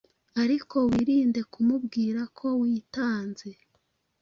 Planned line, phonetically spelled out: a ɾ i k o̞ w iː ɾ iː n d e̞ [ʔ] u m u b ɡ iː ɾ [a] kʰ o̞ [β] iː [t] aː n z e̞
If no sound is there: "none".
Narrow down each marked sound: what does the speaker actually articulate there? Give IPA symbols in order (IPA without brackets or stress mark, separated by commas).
k, a, w, t